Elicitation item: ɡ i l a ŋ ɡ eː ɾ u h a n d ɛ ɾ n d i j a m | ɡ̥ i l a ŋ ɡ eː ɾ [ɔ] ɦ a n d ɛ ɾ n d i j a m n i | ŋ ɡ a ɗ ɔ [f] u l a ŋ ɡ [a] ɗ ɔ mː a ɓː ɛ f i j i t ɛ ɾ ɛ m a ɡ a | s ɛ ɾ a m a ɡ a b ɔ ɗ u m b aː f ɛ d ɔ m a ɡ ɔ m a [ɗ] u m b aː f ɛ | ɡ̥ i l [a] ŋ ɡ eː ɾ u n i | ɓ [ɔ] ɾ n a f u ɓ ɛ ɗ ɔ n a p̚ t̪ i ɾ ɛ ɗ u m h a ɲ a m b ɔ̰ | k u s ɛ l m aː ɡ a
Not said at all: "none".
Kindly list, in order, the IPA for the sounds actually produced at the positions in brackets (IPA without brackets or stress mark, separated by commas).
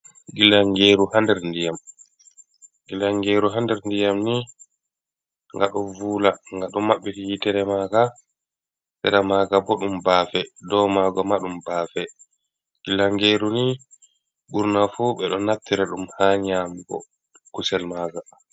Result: u, v, a, ɗ, a, u